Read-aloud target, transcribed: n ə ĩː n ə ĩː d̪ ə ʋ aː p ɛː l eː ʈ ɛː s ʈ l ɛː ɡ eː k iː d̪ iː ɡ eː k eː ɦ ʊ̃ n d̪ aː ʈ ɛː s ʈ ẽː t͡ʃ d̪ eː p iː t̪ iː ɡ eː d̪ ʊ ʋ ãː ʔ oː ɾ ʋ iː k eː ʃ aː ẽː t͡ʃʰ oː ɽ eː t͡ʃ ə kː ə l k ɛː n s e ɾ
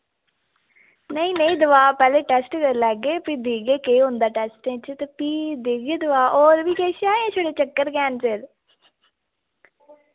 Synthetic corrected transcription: n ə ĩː n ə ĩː d̪ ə ʋ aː p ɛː l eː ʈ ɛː s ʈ l ɛː ɡ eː p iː d̪ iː ɡ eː k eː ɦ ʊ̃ n d̪ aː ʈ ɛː s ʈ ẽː t͡ʃ t̪ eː p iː d̪ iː ɡ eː d̪ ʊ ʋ aː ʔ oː ɾ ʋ iː k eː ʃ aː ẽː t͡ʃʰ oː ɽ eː t͡ʃ ə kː ə ɾ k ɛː n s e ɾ